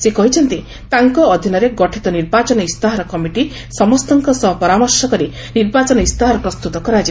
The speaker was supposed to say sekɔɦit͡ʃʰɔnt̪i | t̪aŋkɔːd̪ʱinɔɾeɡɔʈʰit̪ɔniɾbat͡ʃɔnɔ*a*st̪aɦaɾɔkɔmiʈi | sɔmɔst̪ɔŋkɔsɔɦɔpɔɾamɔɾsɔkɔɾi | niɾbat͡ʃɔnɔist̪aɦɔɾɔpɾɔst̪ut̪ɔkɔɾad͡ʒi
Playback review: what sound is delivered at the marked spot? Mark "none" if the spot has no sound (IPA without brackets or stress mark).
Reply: i